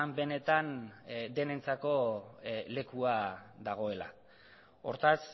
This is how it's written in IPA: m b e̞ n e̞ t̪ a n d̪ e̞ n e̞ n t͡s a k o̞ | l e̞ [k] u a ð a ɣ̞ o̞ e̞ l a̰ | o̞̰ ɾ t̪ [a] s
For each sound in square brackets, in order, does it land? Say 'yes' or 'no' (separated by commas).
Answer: yes, yes